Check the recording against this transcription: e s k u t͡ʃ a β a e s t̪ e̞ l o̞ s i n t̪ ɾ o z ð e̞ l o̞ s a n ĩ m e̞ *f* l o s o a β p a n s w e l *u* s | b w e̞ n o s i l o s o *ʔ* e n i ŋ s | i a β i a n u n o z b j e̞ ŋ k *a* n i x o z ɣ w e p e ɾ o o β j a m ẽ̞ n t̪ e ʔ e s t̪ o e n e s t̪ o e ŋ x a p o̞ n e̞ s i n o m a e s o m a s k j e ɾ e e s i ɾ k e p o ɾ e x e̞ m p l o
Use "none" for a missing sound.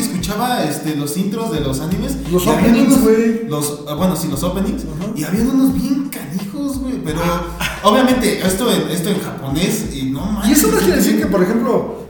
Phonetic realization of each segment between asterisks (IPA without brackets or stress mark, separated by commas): s, o, p, a